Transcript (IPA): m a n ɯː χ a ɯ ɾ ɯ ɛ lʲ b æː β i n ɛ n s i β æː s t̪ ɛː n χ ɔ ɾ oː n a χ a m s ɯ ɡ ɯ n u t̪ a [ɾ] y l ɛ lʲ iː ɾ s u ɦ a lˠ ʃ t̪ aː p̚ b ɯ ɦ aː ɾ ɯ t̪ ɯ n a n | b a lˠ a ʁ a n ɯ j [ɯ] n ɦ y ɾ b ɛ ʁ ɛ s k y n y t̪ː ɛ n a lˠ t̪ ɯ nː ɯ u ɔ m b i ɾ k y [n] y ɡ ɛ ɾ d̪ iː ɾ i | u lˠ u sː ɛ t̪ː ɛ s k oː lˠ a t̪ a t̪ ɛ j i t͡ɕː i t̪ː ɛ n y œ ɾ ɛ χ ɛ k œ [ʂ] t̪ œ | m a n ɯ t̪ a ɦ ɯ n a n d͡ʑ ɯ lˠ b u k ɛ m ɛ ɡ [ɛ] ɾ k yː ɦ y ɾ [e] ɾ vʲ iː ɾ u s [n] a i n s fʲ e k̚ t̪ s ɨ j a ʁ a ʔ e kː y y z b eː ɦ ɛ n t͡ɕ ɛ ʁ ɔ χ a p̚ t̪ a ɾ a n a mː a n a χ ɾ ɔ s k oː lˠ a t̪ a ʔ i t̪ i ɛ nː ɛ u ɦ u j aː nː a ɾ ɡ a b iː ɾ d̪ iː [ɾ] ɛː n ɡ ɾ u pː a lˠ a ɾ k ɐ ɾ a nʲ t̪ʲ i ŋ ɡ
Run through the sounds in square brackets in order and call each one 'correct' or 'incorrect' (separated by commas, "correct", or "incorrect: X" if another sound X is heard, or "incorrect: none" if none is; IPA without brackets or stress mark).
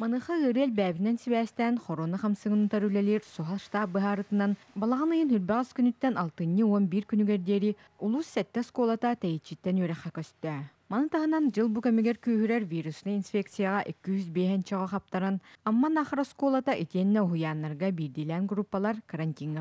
correct, correct, correct, incorrect: s, correct, incorrect: ɛ, correct, incorrect: l